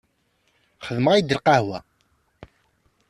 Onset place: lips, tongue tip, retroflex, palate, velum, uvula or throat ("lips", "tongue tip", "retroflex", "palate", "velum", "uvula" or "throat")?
uvula